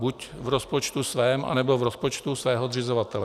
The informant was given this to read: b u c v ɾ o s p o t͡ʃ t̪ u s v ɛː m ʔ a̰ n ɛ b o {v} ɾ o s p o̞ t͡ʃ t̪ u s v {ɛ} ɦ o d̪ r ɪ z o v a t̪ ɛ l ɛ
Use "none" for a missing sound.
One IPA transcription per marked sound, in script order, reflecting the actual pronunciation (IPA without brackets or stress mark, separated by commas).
v, ɛː